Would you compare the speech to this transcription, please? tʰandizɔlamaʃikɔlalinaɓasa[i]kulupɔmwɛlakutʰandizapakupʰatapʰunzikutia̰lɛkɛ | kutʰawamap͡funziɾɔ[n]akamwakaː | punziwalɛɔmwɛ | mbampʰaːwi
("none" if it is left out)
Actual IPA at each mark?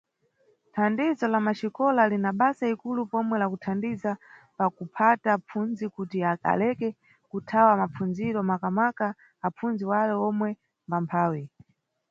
i, m

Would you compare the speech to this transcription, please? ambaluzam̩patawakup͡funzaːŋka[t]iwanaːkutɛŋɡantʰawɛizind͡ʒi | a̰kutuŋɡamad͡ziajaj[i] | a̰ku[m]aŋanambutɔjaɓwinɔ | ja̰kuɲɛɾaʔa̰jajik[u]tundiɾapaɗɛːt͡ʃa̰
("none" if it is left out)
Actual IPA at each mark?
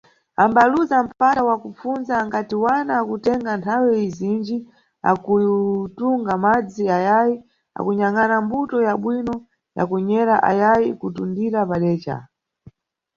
t, i, ɲ, u

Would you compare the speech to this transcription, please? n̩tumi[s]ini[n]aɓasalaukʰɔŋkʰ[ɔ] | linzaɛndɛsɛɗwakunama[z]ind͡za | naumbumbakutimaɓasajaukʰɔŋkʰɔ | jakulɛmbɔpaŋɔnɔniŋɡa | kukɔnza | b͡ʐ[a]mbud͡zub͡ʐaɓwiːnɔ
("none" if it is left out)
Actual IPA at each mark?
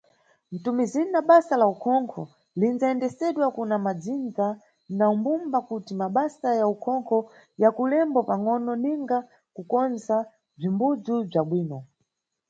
z, n, ɔ, d͡z, i

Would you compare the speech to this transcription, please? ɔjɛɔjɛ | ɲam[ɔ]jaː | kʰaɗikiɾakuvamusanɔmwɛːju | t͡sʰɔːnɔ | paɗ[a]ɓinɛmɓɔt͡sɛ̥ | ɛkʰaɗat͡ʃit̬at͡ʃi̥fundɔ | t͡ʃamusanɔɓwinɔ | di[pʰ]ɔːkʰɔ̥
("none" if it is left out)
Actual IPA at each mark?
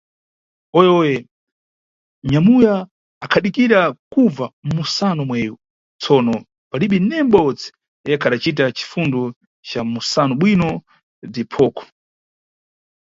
u, i, pʰ

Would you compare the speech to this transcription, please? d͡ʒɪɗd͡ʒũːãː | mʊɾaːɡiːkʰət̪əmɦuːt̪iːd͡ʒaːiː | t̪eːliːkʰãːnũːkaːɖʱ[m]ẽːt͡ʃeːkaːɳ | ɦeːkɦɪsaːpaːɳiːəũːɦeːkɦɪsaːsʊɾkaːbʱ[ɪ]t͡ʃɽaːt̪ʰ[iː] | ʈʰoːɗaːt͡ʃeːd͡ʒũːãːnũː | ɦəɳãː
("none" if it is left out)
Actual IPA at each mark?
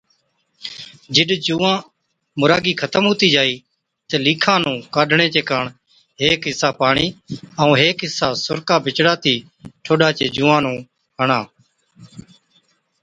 ɳ, ɪ, iː

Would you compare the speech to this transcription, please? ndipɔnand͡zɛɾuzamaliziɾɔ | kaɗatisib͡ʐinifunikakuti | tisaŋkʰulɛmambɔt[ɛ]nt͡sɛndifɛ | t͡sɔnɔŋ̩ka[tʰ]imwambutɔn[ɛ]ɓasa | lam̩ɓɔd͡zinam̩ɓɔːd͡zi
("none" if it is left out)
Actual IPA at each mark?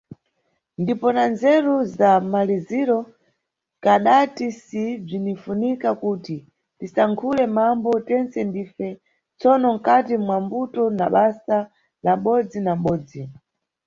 ɛ, t, a

